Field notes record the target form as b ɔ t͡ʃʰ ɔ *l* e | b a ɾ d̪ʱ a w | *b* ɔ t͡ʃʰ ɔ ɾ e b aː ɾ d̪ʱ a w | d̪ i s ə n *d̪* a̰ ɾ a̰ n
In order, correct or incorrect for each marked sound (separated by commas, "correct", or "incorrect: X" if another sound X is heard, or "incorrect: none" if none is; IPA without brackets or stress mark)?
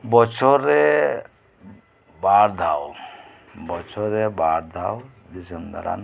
incorrect: ɾ, correct, correct